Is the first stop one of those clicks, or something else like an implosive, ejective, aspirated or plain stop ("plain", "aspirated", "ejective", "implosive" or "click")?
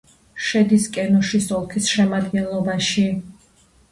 plain